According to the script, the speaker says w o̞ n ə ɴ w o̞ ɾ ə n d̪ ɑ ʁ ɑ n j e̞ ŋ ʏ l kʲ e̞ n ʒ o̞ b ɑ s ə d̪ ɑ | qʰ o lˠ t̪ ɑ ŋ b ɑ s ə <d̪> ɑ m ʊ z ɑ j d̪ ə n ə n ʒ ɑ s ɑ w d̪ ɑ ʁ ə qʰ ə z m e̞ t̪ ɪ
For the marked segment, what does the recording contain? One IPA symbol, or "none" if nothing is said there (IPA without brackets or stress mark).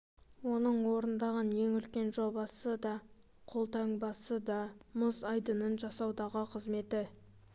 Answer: d̪